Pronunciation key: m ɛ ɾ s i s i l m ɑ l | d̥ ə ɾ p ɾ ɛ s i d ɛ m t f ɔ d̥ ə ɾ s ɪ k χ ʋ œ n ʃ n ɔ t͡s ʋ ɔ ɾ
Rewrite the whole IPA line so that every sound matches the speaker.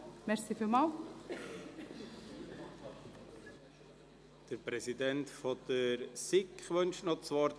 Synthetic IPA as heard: m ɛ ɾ s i f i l m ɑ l | d̥ ə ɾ p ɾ ɛ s i d ɛ n t f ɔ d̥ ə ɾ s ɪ k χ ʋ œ n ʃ n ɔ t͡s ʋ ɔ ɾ